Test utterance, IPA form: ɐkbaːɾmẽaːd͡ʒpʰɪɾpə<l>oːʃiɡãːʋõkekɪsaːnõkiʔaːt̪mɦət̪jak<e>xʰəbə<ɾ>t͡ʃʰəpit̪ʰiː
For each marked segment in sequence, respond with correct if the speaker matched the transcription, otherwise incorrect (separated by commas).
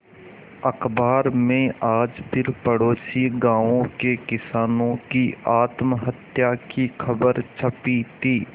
incorrect, incorrect, correct